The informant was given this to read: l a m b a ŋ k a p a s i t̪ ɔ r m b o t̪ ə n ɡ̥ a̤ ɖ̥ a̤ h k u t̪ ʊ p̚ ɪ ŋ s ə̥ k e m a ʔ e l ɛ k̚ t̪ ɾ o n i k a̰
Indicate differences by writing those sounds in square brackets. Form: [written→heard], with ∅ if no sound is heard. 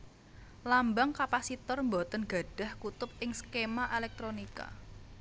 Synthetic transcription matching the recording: l a m b a ŋ k a p a s i t̪ ɔ r m b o t̪ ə n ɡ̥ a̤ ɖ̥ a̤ h k u t̪ ʊ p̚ ɪ ŋ s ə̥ k e m a ʔ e l ɛ k̚ t̪ ɾ o n i k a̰